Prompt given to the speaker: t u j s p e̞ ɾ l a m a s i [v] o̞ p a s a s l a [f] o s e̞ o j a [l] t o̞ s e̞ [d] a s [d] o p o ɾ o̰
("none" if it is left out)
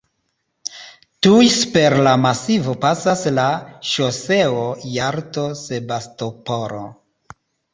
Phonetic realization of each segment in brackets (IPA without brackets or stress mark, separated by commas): v, ʃ, ɾ, b, t